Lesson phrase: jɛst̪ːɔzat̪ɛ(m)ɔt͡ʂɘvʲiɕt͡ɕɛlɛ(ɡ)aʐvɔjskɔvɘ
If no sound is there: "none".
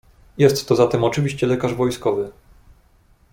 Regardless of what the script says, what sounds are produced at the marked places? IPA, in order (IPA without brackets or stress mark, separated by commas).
m, k